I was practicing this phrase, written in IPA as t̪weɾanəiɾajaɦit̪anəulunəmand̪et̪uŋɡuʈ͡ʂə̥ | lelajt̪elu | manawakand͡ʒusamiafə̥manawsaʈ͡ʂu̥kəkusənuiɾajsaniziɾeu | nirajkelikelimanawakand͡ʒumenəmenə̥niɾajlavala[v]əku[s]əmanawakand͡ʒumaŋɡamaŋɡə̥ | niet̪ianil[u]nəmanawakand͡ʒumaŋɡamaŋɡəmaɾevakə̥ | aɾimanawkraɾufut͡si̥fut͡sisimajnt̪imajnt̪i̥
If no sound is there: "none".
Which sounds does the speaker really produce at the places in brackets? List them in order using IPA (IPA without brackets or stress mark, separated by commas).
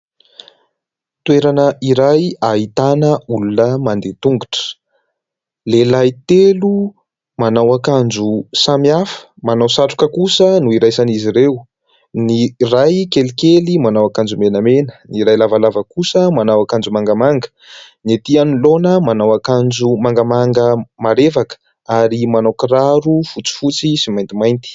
v, s, o